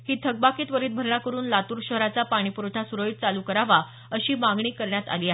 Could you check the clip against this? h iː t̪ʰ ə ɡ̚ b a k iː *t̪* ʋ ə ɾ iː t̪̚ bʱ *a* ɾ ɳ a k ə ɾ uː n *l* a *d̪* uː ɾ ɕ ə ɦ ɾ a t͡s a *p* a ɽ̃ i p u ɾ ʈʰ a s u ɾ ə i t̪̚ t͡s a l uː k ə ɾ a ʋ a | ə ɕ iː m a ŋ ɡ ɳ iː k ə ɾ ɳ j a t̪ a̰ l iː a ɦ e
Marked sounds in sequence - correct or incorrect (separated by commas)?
correct, incorrect, correct, incorrect, correct